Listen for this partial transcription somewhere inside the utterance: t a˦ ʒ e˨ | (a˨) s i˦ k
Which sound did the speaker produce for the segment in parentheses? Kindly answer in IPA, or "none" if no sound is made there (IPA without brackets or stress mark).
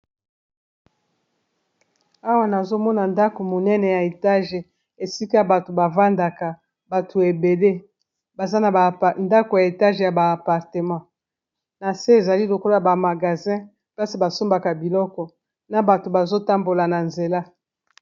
e˨